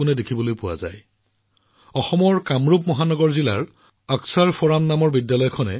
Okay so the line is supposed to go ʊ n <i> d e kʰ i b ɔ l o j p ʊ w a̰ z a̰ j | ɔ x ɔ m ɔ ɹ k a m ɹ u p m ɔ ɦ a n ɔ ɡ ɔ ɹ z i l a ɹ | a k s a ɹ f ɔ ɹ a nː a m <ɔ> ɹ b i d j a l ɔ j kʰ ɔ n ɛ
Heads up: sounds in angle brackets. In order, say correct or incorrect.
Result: incorrect: ɛ, correct

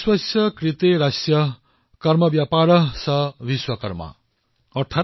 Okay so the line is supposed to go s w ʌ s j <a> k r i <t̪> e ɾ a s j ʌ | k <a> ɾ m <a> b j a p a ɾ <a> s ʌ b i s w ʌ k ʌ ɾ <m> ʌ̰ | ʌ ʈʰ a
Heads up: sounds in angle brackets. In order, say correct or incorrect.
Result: incorrect: ʌ, correct, incorrect: ʌ, incorrect: ʌ, incorrect: ʌ, correct

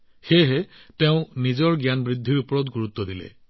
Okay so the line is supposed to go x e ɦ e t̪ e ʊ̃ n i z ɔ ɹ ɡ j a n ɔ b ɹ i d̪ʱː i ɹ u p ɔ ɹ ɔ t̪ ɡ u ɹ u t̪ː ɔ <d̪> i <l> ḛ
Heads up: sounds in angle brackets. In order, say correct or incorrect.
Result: correct, correct

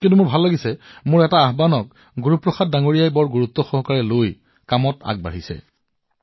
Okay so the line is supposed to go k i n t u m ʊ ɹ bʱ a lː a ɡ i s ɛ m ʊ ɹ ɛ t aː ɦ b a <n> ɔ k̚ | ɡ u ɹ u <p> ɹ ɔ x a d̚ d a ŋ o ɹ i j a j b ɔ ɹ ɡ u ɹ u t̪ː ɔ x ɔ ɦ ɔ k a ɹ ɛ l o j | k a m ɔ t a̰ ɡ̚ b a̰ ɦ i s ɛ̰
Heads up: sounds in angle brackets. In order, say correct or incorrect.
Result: correct, correct

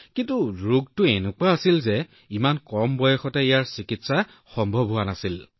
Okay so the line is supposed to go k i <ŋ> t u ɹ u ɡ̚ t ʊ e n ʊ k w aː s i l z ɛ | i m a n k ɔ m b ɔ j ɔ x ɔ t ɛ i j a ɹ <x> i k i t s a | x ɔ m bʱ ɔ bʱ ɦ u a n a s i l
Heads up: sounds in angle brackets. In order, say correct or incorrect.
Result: incorrect: n, incorrect: s

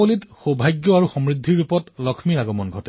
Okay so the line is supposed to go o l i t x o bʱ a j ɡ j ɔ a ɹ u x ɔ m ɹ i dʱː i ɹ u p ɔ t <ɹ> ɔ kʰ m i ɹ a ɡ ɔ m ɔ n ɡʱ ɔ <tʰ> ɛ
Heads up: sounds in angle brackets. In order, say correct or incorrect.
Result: incorrect: l, incorrect: t

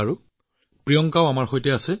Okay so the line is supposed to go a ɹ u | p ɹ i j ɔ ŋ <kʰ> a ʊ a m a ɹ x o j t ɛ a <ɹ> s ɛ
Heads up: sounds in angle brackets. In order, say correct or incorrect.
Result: incorrect: k, incorrect: none

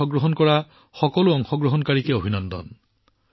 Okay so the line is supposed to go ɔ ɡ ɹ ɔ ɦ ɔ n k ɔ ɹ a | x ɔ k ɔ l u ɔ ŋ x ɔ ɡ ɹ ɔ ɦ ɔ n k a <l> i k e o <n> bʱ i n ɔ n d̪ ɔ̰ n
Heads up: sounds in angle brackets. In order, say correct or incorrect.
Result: incorrect: ɹ, incorrect: none

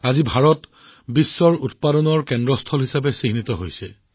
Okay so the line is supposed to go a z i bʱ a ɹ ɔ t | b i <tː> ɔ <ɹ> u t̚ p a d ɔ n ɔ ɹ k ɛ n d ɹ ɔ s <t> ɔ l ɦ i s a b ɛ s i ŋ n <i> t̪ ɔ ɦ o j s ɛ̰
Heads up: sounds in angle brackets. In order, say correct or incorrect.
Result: incorrect: sː, correct, incorrect: tʰ, correct

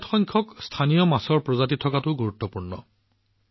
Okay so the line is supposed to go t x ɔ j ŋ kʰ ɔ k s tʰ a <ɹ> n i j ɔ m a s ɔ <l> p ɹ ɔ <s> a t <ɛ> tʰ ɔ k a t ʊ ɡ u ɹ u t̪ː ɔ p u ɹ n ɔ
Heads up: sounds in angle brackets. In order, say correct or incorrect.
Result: incorrect: none, incorrect: ɹ, incorrect: z, incorrect: i

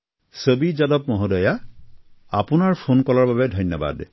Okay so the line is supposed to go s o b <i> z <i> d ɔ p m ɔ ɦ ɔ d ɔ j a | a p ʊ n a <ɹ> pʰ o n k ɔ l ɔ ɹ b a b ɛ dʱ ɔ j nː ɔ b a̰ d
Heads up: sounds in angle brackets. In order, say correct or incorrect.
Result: correct, incorrect: a, correct

